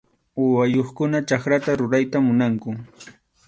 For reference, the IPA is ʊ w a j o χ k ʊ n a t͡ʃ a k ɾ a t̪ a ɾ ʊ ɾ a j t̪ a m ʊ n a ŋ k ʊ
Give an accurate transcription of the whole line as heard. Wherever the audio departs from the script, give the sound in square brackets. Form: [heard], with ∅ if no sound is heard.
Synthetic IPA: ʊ w a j o χ k ʊ n a t͡ʃ a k ɾ a t̪ a ɾ ʊ ɾ a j t̪ a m ʊ n a ŋ k ʊ